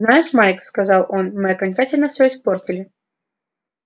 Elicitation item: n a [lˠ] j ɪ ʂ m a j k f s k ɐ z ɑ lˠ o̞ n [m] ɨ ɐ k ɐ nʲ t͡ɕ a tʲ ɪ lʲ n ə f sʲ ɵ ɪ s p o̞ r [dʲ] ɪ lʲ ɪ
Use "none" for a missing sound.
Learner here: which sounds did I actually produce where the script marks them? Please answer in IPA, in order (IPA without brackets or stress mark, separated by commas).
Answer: none, m, tʲ